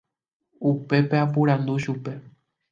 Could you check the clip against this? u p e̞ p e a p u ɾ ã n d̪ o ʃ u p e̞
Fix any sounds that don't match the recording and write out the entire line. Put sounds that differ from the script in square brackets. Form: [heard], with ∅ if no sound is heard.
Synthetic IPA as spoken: u p e̞ p e a p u ɾ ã n d̪ [u] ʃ u p e̞